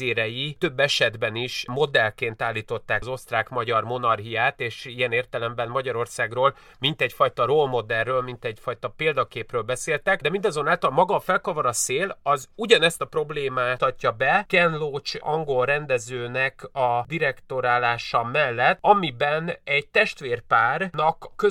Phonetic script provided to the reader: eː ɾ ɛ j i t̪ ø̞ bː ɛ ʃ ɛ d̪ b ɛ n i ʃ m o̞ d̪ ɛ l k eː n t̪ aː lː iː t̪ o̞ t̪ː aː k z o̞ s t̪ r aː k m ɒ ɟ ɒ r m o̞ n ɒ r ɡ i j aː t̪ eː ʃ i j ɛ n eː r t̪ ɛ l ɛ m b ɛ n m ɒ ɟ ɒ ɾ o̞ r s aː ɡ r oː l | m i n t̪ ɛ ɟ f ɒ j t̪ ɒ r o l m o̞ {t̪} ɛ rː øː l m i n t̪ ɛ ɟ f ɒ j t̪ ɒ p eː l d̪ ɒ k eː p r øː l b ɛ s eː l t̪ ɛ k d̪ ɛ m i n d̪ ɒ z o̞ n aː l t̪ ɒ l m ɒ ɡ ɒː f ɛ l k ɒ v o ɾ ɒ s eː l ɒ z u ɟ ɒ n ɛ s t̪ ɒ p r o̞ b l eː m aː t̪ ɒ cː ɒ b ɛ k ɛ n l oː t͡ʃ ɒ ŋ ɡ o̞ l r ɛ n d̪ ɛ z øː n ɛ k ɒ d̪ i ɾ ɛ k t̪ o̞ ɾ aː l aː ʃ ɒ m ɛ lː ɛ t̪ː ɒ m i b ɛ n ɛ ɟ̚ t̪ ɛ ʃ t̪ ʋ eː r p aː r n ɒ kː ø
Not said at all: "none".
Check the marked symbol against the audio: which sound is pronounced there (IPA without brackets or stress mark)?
d̪